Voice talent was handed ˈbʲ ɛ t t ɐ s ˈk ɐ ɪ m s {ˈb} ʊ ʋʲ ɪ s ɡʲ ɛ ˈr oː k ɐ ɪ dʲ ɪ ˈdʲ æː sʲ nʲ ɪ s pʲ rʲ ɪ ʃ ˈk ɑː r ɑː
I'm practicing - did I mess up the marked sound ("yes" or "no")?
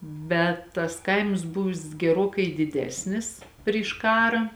no